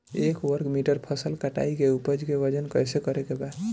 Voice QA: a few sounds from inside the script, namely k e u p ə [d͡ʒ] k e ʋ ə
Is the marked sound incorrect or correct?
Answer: correct